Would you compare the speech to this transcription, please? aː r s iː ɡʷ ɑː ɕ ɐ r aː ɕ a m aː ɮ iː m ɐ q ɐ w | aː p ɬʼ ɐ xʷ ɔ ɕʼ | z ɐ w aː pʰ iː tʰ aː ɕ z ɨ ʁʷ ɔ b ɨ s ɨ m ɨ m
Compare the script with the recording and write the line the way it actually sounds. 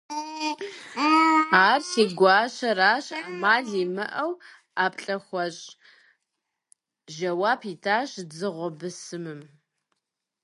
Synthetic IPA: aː r s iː ɡʷ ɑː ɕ ɐ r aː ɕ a m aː ɮ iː m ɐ ʔ ɐ w | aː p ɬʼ ɐ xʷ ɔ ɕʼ | ʒ ɐ w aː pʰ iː tʰ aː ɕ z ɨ ʁʷ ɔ b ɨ s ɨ m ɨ m